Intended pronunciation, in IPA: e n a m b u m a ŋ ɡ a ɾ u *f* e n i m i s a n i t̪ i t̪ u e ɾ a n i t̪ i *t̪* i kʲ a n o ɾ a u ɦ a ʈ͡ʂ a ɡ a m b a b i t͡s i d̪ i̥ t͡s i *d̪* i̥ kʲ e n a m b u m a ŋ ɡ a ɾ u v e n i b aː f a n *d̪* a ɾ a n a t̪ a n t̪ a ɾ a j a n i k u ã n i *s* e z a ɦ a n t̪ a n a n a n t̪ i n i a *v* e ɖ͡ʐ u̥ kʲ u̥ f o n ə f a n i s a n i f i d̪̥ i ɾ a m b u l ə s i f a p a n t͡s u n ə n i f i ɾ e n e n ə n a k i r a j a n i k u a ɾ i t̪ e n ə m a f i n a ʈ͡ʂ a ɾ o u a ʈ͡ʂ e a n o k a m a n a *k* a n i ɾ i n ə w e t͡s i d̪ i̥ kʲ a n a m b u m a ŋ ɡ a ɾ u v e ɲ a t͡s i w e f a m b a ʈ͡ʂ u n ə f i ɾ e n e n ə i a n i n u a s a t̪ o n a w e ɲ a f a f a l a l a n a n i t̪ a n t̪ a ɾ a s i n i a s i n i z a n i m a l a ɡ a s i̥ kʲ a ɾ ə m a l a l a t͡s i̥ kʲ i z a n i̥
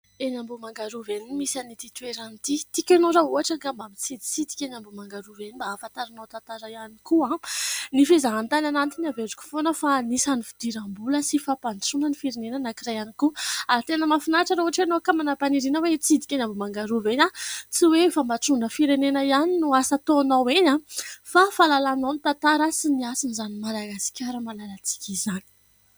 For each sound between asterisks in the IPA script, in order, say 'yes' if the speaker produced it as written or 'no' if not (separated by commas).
no, yes, yes, no, no, yes, no